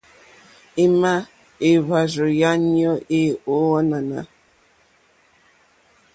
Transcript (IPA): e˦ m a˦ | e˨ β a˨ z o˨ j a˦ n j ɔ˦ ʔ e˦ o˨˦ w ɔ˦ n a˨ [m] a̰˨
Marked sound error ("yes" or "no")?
yes